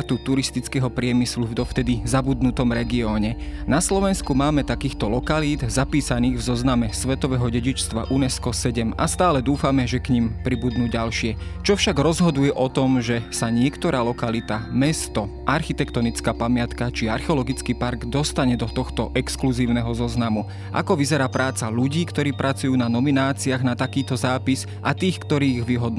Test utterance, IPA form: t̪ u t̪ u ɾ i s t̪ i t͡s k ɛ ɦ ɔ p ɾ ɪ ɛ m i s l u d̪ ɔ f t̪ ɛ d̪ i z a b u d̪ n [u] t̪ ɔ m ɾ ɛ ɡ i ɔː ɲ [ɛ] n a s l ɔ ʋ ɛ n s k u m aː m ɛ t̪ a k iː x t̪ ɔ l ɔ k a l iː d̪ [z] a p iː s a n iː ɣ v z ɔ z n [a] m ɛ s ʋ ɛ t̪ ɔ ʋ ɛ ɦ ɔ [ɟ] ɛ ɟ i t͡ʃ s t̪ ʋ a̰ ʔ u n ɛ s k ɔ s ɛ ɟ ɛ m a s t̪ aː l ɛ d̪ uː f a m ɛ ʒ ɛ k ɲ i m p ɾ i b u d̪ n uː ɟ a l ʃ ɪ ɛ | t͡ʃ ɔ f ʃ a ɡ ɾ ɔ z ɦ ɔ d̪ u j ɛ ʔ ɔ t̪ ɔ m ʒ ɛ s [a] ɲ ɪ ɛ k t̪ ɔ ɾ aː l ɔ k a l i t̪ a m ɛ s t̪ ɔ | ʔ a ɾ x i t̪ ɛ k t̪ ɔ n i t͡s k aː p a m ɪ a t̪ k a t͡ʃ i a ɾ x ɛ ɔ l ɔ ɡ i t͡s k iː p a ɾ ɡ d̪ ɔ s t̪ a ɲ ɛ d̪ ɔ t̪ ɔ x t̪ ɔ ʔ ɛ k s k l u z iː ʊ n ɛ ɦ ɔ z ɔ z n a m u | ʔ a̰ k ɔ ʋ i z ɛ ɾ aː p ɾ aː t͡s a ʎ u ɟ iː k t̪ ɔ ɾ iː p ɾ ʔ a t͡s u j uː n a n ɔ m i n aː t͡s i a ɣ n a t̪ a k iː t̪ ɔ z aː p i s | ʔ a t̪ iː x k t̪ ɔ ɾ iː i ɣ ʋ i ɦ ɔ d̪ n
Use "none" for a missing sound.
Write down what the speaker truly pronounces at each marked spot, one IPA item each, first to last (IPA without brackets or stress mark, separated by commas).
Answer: u, ɛ, z, a, ɟ, a